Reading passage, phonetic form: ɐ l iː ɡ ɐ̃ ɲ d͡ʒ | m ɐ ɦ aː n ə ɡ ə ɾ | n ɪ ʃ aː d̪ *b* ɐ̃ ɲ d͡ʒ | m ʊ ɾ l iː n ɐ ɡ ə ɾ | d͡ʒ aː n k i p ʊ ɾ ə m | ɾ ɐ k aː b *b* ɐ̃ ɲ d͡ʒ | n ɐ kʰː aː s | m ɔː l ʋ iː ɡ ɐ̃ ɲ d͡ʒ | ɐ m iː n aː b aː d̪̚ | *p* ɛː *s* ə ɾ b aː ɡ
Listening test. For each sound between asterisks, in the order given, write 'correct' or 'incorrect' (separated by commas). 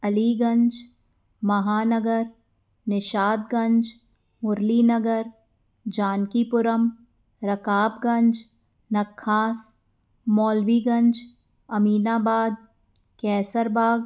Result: incorrect, incorrect, incorrect, correct